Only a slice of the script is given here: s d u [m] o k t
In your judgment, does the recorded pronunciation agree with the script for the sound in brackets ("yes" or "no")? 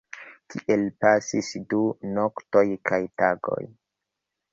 no